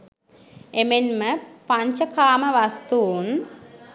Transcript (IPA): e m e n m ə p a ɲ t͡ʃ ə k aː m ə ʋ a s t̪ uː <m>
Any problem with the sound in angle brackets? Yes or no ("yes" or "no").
yes